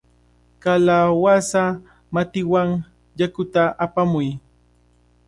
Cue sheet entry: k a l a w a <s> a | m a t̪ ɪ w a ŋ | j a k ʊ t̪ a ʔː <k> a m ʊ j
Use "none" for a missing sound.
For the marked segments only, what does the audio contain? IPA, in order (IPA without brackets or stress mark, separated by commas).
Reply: s, p